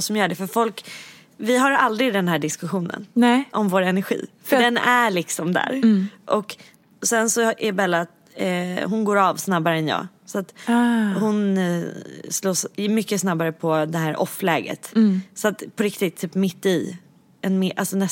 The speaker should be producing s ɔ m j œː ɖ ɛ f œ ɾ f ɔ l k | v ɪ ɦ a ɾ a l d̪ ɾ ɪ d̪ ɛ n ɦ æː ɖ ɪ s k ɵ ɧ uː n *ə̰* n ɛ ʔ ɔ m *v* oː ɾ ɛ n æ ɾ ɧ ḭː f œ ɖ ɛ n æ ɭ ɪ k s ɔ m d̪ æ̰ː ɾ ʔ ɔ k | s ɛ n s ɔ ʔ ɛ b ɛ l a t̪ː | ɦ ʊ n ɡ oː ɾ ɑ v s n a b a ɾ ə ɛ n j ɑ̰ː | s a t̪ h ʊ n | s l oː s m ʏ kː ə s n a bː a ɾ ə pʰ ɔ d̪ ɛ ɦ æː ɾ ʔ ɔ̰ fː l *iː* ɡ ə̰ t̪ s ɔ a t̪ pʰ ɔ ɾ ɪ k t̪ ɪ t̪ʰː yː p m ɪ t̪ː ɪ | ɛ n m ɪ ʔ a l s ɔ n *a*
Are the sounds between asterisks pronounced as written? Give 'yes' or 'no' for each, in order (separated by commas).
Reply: yes, yes, no, no